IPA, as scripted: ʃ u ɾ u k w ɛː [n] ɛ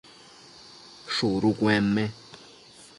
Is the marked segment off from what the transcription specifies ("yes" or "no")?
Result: yes